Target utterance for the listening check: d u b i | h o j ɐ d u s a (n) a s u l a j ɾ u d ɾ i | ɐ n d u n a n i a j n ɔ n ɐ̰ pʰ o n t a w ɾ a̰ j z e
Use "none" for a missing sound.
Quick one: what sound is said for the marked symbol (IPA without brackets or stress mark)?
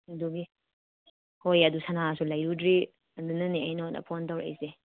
n